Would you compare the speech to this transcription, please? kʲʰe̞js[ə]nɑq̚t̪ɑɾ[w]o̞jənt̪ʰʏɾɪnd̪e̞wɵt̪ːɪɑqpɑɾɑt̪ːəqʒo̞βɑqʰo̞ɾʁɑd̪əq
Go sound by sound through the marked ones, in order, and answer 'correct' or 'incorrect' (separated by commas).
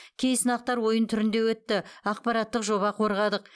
correct, correct